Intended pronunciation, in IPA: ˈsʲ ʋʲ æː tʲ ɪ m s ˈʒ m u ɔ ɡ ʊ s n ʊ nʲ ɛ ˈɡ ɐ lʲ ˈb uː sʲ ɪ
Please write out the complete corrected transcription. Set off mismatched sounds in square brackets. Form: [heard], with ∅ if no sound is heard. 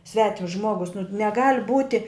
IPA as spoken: ˈsʲ ʋʲ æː tʲ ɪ m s ˈʒ m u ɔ ɡ ʊ s n ʊ nʲ ɛ ˈɡ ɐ lʲ ˈb uː [tʲ] ɪ